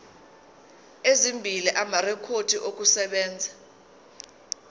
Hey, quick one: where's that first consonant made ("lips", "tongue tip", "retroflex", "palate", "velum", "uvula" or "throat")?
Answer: tongue tip